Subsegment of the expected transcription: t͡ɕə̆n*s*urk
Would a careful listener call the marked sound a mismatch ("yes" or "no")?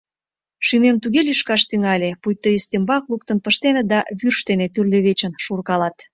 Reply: yes